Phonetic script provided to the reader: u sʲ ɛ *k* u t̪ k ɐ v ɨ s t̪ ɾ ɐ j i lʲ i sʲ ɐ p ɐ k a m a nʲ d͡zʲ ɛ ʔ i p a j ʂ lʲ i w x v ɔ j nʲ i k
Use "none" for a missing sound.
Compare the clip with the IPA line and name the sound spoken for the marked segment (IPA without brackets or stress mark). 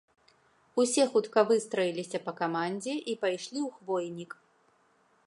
x